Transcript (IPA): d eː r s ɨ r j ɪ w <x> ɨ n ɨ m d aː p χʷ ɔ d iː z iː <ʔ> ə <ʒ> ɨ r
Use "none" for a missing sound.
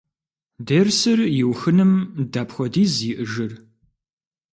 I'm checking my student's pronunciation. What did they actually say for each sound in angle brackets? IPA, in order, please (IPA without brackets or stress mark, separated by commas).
x, ʔ, ʒ